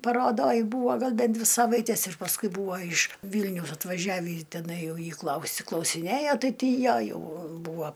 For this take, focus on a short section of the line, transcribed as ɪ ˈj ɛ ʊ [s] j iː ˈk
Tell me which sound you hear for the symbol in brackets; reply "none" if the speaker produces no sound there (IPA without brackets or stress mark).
none